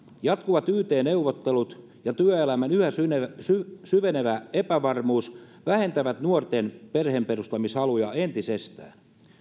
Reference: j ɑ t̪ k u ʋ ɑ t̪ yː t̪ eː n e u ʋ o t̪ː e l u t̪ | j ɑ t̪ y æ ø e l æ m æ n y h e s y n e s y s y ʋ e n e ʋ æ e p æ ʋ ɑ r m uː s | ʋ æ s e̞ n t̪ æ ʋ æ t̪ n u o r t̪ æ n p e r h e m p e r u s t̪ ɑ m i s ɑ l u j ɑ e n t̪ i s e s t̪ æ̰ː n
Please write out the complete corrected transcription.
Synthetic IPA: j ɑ t̪ k u ʋ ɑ t̪ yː t̪ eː n e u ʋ o t̪ː e l u t̪ | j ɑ t̪ y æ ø e l æ m æ n y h æ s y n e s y s y ʋ e n e ʋ æ e p æ ʋ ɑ r m uː s | ʋ æ h e̞ n t̪ æ ʋ æ t̪ n u o r t̪ e n p e r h e m p e r u s t̪ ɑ m i s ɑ l u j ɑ e n t̪ i s e s t̪ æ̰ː n